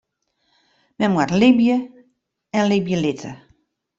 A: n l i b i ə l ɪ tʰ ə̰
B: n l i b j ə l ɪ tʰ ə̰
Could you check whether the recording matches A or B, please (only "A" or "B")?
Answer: B